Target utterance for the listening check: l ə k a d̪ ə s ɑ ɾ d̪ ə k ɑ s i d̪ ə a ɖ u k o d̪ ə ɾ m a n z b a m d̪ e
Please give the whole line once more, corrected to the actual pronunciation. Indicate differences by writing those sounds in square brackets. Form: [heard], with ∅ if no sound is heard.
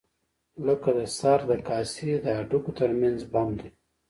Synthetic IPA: l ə k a d̪ ə s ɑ ɾ d̪ ə k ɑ s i d̪ ə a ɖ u k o [t̪] ə ɾ m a n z b a m d̪ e

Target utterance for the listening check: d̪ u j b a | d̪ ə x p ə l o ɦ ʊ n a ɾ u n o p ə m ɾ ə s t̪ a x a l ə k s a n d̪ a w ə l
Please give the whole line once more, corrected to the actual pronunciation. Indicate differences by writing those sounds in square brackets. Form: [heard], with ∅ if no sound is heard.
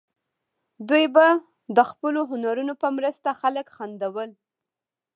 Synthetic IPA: d̪ u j b a | d̪ ə x p ə l o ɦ ʊ n a ɾ u n o p ə m ɾ ə s t̪ a x a l ə k [x] a n d̪ a w ə l

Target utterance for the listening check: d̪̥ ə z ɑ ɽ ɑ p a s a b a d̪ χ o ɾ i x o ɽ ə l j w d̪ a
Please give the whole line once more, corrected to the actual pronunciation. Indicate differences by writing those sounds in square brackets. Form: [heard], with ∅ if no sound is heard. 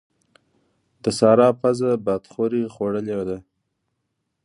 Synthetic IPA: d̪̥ ə [s] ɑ [ɾ] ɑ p a [z] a b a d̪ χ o ɾ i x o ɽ ə l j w d̪ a

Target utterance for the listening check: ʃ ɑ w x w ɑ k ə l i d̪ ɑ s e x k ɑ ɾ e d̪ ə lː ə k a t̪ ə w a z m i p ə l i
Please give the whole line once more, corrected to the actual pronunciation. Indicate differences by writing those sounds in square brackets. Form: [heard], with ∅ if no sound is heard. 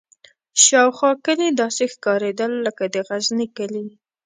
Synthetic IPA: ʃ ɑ w x w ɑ k ə l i d̪ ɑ s e x k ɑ ɾ e d̪ ə lː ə k a [d̪] ə [ɣ] a z [n] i [k] ə l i

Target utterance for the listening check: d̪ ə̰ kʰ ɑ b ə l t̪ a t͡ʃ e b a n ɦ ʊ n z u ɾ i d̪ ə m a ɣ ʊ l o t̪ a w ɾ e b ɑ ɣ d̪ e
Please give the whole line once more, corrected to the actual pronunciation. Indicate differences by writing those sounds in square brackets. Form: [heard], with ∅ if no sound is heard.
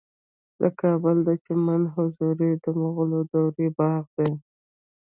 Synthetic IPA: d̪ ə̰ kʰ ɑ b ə l [d̪] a t͡ʃ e [m] a n ɦ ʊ [∅] z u ɾ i d̪ ə m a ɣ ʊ l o [d̪] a w ɾ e b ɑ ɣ d̪ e

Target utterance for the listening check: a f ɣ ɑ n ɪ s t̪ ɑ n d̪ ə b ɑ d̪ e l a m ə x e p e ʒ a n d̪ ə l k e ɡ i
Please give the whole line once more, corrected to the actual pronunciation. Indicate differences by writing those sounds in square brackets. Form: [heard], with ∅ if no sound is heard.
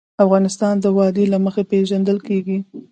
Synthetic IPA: a f ɣ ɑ n ɪ s t̪ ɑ n d̪ ə [w] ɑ d̪ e l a m ə x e p e ʒ a n d̪ ə l k e ɡ i

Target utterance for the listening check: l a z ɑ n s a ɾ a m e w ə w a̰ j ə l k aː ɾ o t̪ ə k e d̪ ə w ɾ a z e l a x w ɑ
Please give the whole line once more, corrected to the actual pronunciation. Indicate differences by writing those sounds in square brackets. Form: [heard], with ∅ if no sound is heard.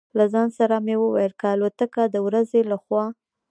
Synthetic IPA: l a z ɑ n s a ɾ a m e w ə w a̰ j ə l k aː [l] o t̪ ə k [a] d̪ ə w ɾ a z e l a x w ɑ

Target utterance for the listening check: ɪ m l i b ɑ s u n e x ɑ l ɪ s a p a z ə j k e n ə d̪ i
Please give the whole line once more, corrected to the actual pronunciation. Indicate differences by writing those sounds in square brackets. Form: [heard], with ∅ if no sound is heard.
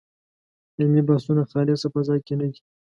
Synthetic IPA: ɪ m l i b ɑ s u n [a] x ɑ l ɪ s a p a z [ɑ] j k e n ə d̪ i

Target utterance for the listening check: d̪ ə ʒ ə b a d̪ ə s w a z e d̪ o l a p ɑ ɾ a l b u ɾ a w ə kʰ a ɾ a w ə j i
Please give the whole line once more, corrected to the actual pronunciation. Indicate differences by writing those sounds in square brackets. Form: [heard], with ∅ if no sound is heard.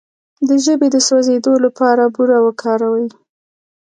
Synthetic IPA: d̪ ə ʒ ə b [e] d̪ ə s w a z e d̪ o l a p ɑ ɾ a [∅] b u ɾ a w ə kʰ [ɑ] ɾ a w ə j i

